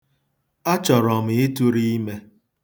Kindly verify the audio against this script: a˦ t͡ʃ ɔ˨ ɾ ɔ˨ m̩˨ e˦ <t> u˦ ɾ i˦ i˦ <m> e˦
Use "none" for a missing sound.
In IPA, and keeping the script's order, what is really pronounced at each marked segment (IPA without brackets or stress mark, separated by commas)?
t, m